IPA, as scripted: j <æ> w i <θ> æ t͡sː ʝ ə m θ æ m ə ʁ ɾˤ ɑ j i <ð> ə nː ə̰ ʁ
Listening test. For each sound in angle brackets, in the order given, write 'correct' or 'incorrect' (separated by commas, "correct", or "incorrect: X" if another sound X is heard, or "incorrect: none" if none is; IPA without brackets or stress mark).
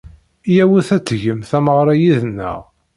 correct, correct, correct